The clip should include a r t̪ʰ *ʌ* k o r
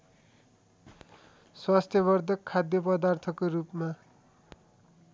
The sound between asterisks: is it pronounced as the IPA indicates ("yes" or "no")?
yes